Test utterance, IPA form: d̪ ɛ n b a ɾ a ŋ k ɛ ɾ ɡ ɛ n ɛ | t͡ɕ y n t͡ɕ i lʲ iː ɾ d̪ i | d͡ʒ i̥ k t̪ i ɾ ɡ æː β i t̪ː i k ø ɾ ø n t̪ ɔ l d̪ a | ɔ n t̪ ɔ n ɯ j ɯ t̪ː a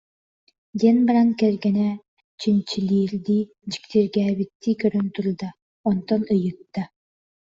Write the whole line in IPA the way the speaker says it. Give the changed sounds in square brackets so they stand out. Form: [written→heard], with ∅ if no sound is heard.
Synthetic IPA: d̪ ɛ n b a ɾ a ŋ k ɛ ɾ ɡ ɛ n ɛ | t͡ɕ [y→i] n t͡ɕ i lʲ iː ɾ d̪ i | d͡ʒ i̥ k t̪ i ɾ ɡ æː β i t̪ː i k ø ɾ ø n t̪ [ɔ→u] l d̪ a | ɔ n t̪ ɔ n ɯ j ɯ t̪ː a